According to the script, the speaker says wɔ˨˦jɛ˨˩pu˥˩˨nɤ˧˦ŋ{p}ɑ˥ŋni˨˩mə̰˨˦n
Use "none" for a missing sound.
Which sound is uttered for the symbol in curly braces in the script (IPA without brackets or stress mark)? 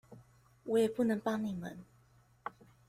p